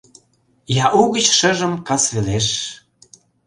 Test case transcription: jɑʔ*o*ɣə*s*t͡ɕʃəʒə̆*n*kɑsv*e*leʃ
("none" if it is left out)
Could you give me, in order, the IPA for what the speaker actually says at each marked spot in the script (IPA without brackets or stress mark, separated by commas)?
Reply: u, none, m, e